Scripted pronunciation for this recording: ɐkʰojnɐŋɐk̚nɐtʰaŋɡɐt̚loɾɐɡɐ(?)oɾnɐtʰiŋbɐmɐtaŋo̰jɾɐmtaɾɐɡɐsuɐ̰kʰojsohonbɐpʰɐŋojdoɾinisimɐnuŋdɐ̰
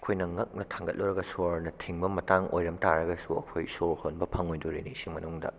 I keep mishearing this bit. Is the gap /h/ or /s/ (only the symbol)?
s